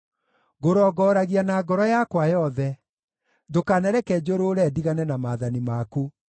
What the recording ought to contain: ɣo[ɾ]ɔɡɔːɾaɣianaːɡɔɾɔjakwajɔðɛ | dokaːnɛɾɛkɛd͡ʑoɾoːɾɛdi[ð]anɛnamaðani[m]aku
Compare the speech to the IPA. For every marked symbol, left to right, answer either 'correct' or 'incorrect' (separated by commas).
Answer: correct, incorrect, correct